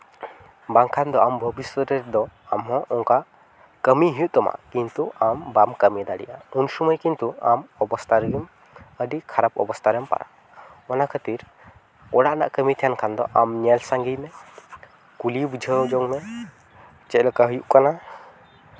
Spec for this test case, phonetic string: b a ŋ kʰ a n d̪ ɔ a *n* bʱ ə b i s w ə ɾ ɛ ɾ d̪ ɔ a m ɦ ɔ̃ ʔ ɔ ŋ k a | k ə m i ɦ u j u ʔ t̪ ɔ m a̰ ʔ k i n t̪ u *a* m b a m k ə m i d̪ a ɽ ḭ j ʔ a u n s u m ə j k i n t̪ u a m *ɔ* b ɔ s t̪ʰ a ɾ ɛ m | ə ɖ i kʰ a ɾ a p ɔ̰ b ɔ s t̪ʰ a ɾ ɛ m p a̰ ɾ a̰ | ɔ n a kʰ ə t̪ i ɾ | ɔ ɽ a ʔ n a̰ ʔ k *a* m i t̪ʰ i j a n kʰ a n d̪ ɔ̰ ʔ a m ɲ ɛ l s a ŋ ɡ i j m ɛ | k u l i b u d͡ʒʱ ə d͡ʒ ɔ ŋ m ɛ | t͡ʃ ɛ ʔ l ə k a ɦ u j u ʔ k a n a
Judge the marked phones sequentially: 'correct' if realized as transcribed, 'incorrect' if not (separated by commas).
incorrect, correct, correct, incorrect